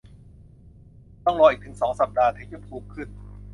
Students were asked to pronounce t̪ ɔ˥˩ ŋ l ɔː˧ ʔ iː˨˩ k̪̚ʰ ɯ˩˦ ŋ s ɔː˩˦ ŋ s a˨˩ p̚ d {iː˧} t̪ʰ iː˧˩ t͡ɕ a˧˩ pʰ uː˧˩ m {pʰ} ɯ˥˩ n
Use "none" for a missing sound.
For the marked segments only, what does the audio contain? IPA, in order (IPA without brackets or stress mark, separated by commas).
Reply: aː˧, kʰ